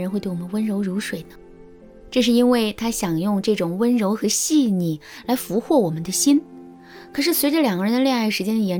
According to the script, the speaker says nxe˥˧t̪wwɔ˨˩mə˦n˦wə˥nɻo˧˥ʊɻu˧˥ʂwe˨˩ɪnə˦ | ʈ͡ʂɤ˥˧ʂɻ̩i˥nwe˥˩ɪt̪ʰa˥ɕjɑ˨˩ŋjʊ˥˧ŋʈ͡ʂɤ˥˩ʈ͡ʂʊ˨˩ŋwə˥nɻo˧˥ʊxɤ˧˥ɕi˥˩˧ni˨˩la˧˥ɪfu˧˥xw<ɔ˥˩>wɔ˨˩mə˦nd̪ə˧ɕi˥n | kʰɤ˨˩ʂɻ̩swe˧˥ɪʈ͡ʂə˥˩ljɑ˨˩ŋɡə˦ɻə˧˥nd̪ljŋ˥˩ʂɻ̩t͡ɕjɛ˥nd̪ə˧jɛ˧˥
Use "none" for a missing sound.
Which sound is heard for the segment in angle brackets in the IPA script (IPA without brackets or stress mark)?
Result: ɔ˥˩